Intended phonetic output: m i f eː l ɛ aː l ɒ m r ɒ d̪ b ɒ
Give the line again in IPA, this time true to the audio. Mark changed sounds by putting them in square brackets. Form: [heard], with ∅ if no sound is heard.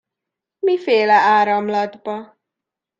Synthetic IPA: m i f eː l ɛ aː [ɾ] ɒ m [l] ɒ d̪ b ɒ